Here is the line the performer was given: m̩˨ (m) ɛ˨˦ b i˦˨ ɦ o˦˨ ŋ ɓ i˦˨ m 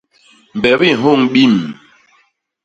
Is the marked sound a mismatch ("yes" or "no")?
yes